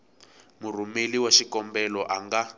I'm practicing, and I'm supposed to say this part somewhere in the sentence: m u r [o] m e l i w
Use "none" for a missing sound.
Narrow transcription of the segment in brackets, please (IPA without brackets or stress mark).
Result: u